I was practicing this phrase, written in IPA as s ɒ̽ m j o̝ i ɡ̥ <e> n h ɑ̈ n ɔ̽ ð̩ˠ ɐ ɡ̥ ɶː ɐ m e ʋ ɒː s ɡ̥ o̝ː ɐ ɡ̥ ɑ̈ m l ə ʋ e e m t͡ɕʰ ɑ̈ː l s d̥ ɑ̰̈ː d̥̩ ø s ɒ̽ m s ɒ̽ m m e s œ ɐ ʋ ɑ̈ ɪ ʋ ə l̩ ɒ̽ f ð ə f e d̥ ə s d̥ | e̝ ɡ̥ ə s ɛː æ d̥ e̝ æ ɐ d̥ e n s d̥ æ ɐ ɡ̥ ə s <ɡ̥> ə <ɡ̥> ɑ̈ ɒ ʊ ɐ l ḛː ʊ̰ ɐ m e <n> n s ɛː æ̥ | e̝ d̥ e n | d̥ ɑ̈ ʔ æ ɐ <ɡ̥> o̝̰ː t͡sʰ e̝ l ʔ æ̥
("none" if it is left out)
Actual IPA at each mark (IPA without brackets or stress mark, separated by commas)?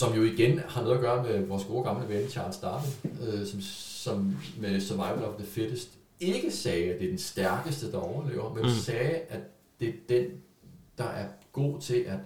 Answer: e, d̥, d̥, n, ɡ̥